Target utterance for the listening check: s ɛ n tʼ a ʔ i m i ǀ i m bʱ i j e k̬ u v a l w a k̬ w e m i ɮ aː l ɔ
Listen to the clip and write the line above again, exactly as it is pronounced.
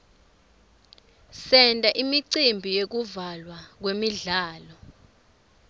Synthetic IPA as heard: s ɛ n tʼ a ʔ i m i ǀ i m bʱ i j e k̬ u v a l w a k̬ w e m i ɮ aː l ɔ

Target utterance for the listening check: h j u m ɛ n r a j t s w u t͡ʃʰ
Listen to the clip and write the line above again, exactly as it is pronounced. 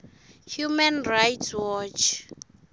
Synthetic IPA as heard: h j u m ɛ n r a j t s w ɔ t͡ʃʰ

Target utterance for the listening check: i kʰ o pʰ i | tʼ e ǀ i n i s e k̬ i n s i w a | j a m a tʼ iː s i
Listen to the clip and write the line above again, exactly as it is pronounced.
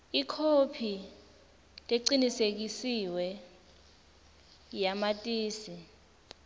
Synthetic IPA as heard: i kʰ o pʰ i | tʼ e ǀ i n i s e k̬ i s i w ɛ | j a m a tʼ iː s i

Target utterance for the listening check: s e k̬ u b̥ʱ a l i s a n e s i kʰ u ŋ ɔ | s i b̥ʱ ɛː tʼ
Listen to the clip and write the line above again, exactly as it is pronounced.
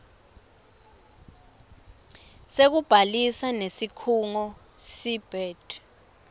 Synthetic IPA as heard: s e k̬ u b̥ʱ a l i s a n e s i kʰ u ŋ ɔ | s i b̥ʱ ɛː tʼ

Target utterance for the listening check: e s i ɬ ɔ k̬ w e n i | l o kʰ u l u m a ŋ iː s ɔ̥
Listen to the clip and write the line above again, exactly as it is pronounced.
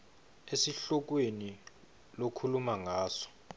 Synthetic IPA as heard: e s i ɬ ɔ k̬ w e n i | l o kʰ u l u m a ŋ aː s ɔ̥

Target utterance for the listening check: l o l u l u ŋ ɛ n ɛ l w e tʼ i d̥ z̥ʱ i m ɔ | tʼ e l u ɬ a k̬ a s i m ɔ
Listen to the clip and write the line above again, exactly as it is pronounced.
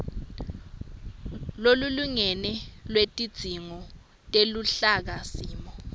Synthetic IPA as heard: l o l u l u ŋ ɛ n ɛ l w e tʼ i d̥ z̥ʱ i ŋ ɔ | tʼ e l u ɬ a k̬ a s iː m ɔ

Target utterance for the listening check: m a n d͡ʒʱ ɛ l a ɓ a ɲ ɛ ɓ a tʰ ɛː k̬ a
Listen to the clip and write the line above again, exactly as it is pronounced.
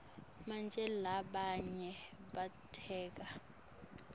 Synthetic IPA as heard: m a n d͡ʒʱ ɛ l a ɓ a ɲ ɛ ɓ a tʰ ɛː k̬ a

